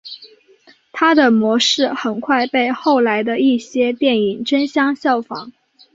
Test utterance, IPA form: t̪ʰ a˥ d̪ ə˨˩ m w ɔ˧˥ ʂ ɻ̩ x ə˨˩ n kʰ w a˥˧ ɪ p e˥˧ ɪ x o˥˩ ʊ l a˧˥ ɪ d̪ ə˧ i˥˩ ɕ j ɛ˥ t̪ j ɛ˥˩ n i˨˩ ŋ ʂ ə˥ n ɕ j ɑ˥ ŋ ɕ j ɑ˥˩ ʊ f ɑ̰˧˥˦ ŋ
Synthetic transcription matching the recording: t̪ʰ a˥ d̪ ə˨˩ m w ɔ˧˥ ʂ ɻ̩ x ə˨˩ n kʰ w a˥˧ ɪ p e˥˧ ɪ x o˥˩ ʊ l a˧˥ ɪ d̪ ə˧ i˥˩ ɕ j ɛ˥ t̪ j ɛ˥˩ n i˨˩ ŋ ʈ͡ʂ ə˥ n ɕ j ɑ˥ ŋ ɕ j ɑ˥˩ ʊ f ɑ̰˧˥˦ ŋ